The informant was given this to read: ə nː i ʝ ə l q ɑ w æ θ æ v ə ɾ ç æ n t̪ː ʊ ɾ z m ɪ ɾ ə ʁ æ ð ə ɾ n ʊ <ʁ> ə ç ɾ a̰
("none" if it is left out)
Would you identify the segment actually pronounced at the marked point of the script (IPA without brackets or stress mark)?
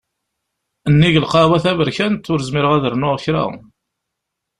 ʁ